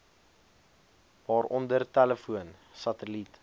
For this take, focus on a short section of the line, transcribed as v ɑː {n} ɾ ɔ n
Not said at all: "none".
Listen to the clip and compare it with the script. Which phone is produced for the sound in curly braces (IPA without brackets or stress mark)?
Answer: none